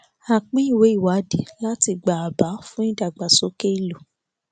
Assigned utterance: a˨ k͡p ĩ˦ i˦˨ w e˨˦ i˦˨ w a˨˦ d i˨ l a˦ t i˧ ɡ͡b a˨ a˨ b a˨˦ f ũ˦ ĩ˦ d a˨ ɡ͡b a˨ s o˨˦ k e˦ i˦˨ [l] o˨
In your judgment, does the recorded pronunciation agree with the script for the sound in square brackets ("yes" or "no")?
yes